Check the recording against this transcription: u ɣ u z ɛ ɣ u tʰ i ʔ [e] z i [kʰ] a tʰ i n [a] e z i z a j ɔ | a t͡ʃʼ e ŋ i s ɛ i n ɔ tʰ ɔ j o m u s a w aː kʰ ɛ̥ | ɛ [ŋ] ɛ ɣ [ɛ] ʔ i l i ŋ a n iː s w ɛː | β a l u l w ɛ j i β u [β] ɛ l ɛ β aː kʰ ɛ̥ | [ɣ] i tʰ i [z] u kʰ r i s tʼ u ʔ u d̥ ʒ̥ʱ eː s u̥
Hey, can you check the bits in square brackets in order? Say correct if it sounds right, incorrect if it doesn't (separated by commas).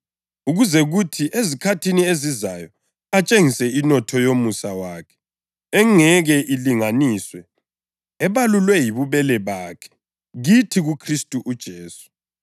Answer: correct, correct, incorrect, correct, correct, correct, correct, incorrect